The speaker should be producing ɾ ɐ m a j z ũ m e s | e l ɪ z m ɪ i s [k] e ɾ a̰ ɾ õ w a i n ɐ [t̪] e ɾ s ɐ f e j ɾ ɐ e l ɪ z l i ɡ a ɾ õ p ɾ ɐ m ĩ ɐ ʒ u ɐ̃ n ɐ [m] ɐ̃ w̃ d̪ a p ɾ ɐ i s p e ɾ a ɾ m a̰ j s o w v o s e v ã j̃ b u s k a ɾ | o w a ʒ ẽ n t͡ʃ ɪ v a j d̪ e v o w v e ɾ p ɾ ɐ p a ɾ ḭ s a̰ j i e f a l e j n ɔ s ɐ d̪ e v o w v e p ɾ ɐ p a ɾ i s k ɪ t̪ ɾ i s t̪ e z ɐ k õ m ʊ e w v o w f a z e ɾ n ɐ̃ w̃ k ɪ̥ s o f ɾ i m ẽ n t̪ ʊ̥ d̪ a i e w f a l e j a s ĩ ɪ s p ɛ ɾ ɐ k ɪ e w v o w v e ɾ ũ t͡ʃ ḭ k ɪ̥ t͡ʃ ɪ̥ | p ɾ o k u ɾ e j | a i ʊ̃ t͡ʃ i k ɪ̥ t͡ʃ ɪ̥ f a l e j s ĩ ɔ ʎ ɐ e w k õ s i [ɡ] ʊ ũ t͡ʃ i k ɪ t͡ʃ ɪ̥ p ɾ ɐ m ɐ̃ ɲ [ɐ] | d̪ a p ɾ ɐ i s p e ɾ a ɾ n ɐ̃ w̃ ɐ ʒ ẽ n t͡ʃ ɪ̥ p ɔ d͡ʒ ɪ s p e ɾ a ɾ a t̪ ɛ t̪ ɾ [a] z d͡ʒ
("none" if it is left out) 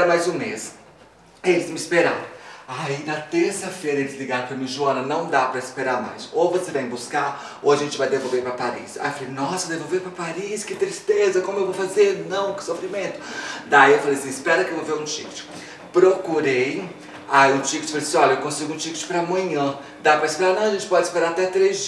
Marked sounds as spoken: p, t̪, n, ɡ, ɐ̃, e

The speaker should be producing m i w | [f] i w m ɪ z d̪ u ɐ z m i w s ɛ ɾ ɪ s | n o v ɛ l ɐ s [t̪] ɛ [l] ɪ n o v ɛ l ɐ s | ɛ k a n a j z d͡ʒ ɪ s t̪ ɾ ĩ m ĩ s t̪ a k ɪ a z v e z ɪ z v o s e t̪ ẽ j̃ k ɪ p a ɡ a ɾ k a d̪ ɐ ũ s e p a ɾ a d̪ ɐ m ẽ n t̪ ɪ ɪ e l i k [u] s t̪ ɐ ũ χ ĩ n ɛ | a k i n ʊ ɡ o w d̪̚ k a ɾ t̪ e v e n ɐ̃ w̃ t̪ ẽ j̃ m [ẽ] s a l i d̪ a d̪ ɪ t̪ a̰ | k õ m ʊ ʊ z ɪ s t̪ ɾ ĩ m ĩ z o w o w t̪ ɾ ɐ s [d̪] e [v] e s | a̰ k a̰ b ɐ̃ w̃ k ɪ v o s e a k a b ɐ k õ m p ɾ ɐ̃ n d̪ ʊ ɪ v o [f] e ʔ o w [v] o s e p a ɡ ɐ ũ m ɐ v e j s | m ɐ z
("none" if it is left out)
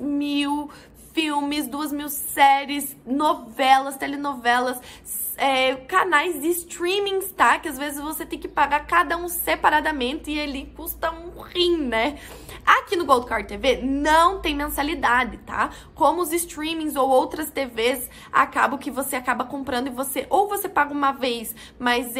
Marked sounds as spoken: f, t̪, l, u, ẽ, t̪, v, s, v

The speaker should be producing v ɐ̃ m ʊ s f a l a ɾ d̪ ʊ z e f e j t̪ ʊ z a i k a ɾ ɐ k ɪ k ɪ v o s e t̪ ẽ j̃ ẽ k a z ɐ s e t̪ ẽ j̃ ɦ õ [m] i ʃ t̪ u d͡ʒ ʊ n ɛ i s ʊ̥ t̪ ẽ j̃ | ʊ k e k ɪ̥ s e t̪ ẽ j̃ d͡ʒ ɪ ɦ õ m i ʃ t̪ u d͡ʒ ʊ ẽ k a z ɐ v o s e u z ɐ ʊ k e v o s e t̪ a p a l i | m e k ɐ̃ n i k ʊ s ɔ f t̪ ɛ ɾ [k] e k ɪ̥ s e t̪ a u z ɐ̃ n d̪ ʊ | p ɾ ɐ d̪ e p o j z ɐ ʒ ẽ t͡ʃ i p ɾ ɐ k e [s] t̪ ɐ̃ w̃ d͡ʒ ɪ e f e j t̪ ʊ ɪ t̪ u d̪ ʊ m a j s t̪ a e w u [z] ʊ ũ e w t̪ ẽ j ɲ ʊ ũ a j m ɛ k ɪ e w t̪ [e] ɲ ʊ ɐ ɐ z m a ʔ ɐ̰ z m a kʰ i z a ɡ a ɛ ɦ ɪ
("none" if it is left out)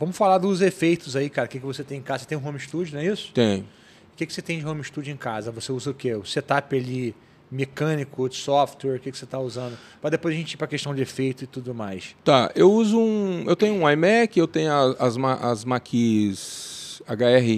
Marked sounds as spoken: m, k, ʃ, z, ẽ

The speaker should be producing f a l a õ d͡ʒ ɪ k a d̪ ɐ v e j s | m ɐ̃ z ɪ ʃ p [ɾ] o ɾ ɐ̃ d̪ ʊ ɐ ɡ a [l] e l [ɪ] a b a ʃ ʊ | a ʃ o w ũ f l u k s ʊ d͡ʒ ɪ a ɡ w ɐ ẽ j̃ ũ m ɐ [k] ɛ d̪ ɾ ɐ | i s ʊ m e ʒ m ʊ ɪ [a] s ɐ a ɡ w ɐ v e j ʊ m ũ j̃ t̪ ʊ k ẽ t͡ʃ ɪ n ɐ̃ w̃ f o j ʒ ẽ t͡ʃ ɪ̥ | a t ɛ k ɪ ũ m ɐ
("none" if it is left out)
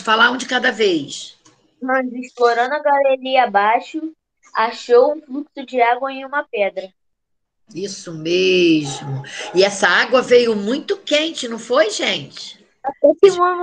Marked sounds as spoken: l, l, i, p, ɛ

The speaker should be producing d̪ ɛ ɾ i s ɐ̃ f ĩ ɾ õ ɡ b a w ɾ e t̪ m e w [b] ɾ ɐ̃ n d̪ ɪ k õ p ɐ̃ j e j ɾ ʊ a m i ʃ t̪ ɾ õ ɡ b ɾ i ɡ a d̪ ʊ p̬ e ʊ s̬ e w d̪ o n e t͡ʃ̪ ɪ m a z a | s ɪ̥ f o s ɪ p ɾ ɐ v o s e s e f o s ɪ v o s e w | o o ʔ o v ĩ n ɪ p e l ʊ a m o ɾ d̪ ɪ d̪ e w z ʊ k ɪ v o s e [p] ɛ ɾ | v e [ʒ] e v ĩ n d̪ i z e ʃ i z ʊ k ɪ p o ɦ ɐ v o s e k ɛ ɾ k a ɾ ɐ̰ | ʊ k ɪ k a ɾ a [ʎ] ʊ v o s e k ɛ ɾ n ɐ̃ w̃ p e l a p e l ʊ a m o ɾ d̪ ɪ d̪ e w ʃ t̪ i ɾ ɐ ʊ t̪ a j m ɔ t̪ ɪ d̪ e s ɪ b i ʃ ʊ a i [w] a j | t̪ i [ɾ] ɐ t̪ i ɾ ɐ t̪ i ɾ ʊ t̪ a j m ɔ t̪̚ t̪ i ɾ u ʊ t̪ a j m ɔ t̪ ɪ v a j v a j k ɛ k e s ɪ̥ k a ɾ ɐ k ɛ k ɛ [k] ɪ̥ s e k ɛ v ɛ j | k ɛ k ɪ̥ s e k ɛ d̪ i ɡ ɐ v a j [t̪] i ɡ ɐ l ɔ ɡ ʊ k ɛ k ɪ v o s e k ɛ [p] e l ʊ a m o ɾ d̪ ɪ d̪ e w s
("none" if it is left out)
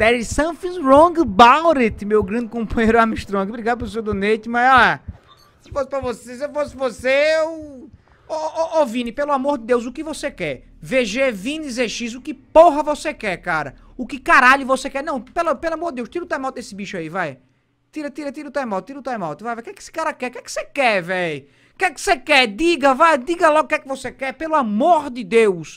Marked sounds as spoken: ɡ, k, ʒ, ʎ, v, ɾ, k, d̪, p

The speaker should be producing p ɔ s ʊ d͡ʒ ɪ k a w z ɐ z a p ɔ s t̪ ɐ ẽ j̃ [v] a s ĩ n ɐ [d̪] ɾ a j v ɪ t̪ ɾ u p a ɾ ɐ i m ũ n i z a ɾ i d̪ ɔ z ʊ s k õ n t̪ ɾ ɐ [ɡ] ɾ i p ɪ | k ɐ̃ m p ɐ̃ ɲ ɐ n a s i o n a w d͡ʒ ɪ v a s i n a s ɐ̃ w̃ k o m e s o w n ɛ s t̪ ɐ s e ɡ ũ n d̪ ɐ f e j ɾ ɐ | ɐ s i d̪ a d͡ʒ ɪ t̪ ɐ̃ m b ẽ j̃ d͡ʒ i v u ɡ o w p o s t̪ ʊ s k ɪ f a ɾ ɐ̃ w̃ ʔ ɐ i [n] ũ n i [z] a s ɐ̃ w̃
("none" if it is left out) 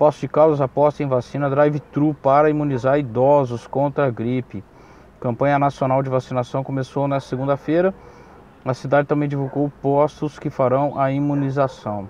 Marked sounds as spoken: v, d̪, ɡ, m, z

